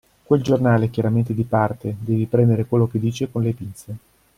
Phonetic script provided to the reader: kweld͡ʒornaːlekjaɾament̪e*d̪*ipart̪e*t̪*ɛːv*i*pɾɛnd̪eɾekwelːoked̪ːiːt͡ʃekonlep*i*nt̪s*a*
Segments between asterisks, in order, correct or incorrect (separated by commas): correct, incorrect, correct, correct, incorrect